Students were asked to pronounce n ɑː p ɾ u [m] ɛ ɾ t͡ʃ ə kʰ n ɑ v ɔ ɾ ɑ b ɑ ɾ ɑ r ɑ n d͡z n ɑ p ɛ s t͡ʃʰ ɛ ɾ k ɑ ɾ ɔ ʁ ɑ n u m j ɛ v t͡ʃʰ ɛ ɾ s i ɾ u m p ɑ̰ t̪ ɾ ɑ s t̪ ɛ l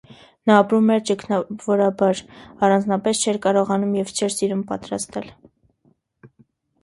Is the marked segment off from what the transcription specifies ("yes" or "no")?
no